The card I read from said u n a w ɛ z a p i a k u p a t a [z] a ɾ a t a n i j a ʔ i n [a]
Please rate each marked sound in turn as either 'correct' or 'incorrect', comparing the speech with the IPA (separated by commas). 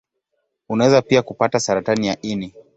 incorrect, incorrect